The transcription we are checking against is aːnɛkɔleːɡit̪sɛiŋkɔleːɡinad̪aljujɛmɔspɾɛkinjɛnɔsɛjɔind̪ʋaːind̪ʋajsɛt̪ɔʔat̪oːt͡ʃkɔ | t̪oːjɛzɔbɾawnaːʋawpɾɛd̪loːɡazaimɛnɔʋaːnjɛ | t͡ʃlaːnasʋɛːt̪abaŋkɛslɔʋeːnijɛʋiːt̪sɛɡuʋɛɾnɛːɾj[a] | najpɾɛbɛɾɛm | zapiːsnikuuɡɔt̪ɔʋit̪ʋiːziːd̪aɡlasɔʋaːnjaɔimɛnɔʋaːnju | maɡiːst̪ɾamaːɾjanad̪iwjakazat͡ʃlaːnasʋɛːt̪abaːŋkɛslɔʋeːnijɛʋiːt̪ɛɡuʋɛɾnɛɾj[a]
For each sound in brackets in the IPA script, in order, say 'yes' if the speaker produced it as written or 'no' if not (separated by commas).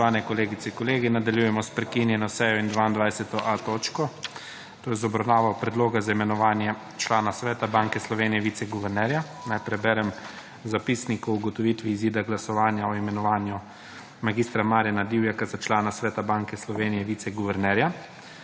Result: yes, yes